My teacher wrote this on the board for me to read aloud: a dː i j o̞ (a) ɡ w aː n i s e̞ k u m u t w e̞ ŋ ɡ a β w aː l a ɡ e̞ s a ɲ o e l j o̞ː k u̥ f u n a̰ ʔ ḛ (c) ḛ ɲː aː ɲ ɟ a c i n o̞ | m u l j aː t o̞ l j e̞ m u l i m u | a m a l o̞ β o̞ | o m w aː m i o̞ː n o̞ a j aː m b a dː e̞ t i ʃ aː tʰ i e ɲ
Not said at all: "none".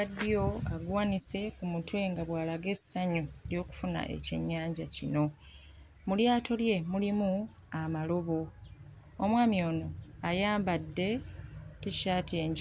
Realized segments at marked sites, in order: a, c

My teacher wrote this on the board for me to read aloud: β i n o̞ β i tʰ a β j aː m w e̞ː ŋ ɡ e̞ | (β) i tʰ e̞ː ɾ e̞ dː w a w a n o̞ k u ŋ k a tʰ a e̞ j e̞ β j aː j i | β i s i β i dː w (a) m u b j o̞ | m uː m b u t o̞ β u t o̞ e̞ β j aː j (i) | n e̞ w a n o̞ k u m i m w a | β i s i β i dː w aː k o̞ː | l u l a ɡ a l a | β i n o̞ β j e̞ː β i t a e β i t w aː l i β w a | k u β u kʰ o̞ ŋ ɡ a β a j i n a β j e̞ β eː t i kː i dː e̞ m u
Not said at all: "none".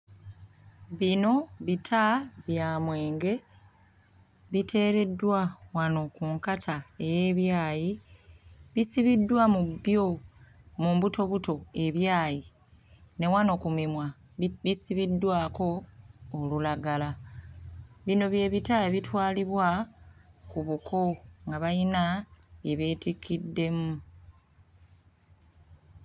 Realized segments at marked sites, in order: β, a, i

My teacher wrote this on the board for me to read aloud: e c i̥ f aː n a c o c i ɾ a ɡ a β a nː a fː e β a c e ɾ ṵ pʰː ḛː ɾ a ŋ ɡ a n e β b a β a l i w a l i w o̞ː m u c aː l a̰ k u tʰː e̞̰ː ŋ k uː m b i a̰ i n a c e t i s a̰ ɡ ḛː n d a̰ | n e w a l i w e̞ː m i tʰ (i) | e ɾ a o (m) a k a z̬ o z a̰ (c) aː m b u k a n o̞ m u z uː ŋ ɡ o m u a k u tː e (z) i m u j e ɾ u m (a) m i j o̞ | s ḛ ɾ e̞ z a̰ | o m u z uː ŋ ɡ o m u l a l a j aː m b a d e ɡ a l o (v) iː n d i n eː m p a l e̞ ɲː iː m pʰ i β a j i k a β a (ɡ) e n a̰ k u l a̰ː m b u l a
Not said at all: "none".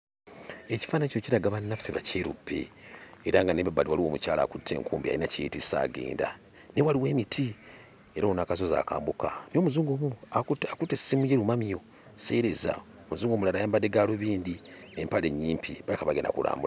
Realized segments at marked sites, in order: i, n, k, s, a, β, ɡ

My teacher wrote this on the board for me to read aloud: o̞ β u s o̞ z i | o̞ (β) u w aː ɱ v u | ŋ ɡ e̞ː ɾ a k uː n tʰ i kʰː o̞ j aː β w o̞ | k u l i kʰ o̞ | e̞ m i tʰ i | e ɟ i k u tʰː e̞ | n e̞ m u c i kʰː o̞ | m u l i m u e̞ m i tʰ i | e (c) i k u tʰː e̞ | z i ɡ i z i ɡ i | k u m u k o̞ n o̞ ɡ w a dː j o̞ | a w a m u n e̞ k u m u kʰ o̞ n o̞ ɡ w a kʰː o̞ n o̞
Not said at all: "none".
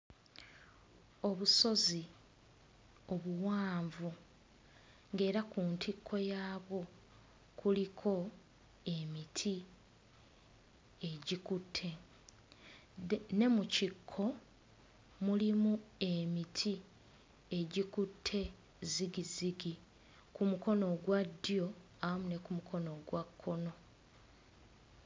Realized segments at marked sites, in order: β, ɟ

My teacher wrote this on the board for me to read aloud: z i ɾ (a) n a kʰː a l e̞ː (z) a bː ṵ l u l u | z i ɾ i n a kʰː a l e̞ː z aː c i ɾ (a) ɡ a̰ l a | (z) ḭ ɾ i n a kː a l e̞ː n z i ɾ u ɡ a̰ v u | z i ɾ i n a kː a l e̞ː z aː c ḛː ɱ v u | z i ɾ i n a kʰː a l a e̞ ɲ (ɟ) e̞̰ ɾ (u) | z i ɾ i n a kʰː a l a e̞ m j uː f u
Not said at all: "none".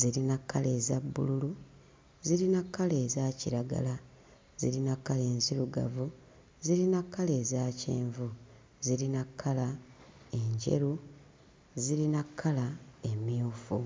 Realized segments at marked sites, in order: i, z, a, z, ɟ, u

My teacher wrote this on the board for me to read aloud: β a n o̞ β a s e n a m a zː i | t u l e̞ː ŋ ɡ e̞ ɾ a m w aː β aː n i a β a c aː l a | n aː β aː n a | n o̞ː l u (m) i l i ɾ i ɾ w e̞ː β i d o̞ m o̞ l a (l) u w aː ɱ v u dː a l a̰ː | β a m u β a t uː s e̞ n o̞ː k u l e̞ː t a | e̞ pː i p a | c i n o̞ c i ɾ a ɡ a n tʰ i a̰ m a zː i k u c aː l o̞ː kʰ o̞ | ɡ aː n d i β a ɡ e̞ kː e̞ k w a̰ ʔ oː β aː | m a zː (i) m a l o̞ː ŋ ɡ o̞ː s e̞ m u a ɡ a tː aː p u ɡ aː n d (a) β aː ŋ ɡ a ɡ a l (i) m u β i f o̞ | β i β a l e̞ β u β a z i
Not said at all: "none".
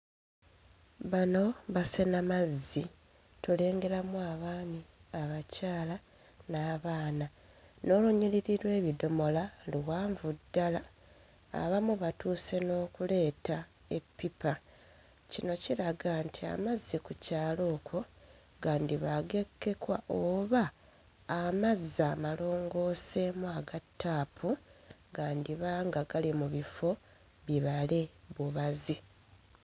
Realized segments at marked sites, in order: ɲ, l, a, i, i

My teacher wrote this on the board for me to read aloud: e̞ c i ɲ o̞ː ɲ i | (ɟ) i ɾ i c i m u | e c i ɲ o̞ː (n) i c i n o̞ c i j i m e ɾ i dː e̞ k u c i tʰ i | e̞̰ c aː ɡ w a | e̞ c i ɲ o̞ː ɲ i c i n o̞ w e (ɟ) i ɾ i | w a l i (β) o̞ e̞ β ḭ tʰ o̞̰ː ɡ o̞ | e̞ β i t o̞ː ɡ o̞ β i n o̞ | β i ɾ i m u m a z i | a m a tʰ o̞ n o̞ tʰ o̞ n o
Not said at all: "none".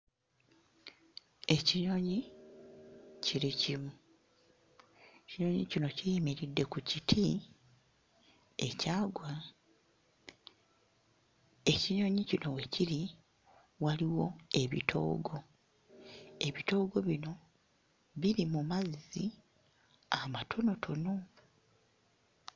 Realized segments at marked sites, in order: c, ɲ, c, w

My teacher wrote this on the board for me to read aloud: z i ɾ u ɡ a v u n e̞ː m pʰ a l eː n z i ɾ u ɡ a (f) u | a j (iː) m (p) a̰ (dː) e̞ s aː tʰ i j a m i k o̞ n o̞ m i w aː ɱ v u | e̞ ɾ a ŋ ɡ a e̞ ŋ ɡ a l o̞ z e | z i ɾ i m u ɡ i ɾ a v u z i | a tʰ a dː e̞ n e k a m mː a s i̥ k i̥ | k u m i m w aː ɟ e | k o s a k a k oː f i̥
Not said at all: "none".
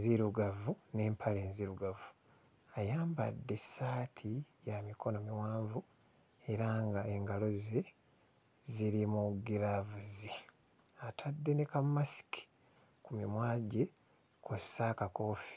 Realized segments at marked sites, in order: v, aː, b, dː

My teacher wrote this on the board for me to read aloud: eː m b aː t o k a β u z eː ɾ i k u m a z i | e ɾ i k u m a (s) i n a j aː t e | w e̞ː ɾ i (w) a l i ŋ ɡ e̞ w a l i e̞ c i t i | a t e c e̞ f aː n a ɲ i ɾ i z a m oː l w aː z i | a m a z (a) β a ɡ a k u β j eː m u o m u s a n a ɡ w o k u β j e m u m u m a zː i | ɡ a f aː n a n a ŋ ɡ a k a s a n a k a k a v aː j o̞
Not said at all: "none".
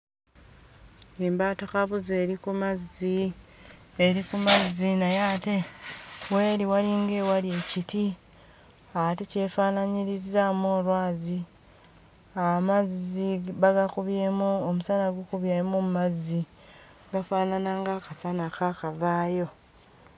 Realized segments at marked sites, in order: z, w, i

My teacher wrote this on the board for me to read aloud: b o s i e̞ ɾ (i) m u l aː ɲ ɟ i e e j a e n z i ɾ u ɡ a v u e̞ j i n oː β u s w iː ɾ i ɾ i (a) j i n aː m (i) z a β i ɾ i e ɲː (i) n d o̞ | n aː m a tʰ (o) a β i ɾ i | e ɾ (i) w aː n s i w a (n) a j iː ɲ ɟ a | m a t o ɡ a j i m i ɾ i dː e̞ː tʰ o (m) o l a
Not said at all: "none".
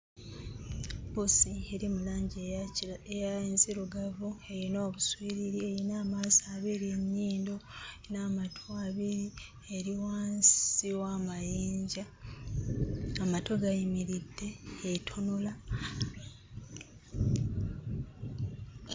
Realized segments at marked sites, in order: i, e, a, iː, o, i, m, n

